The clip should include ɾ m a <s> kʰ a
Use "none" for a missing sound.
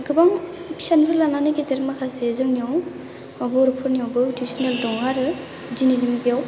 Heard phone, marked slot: none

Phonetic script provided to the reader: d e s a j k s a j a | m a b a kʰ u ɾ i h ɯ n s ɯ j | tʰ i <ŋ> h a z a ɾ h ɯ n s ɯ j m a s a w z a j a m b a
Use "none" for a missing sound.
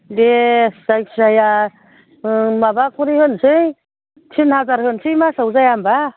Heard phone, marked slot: n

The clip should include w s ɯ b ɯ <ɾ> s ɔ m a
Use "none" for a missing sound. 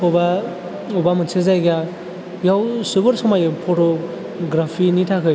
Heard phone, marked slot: ɾ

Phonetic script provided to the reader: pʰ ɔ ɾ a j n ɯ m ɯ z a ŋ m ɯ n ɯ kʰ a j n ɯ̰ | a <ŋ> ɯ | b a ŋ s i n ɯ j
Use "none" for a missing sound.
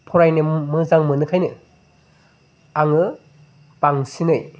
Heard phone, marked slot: ŋ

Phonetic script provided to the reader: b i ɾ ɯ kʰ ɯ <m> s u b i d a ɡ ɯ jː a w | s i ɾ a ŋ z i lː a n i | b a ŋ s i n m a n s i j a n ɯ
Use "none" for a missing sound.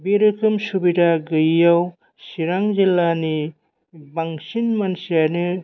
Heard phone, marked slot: m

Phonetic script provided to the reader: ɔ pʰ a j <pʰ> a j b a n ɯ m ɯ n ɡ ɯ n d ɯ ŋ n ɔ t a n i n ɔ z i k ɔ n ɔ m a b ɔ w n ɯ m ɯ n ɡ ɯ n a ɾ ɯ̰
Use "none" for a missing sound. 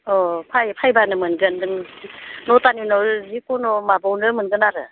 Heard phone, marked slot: pʰ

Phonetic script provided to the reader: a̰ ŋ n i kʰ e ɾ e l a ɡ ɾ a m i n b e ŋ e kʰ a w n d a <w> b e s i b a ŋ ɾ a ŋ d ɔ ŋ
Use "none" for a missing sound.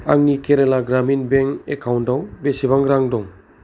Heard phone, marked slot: w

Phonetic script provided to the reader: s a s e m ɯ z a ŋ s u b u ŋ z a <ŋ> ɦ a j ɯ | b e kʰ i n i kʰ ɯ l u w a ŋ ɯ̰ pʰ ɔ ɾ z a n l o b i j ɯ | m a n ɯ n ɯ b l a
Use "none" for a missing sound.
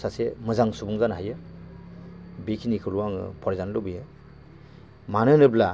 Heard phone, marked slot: n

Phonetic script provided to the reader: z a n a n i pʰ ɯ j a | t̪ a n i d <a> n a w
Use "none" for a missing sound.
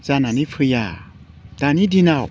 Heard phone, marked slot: i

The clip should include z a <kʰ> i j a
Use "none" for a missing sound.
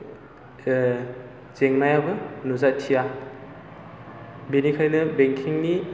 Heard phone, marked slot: tʰ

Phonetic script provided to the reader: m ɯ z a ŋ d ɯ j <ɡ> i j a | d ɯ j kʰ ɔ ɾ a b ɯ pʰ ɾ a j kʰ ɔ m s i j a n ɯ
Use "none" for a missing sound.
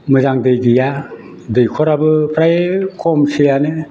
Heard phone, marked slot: ɡ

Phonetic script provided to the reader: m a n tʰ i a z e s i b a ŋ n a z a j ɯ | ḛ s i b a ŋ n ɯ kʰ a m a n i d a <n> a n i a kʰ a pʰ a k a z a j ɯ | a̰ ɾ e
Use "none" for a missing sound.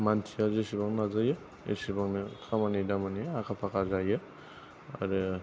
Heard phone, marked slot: m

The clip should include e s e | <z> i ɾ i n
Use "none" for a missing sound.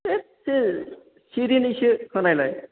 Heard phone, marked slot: s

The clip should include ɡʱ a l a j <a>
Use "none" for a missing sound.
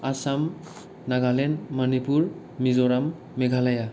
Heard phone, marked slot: a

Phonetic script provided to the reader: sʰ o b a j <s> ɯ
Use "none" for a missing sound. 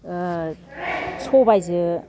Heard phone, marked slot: z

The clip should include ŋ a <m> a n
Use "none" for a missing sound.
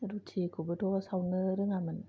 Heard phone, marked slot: m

